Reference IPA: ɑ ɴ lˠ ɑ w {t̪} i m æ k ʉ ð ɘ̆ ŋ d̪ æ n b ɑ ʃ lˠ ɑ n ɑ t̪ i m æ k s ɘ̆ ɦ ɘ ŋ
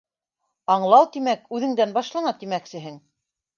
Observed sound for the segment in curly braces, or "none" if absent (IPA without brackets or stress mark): t̪